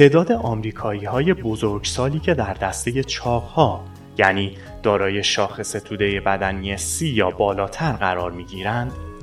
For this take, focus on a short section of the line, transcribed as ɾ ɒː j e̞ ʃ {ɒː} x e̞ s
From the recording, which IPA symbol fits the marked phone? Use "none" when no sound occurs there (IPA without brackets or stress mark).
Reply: ɒː